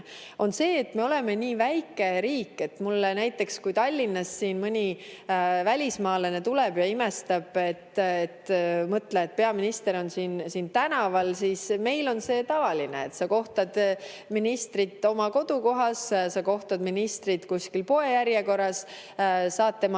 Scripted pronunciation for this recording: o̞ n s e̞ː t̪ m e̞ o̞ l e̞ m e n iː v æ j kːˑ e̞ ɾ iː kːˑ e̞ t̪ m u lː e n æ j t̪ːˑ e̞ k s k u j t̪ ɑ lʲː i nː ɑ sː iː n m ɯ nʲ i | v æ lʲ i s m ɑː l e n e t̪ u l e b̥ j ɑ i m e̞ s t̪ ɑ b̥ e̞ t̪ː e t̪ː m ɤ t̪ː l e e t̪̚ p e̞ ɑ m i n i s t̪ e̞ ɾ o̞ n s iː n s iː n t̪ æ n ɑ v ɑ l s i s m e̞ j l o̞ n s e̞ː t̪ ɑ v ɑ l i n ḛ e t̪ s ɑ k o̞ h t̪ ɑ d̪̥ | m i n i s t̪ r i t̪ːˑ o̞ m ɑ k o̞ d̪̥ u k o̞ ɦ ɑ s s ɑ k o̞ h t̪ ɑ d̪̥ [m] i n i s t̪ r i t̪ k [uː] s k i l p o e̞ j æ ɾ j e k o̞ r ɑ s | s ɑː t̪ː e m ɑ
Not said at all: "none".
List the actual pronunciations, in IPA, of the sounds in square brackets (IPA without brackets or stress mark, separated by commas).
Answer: m, u